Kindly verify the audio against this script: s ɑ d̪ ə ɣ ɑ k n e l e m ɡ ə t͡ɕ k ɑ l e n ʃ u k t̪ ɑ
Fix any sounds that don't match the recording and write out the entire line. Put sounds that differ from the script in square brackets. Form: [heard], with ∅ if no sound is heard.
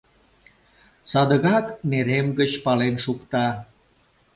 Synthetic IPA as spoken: s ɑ d̪ ə ɣ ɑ k n e [ɾ] e m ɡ ə t͡ɕ [p] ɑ l e n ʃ u k t̪ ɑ